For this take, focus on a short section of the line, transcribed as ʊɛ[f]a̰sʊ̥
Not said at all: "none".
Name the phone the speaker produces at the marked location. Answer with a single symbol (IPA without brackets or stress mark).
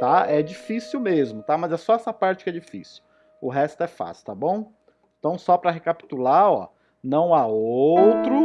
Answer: f